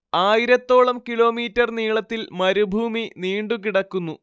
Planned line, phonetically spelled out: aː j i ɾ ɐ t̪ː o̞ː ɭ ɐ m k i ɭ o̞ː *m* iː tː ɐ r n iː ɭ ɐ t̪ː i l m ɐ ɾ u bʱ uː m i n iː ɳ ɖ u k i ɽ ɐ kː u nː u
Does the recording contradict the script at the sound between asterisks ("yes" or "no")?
no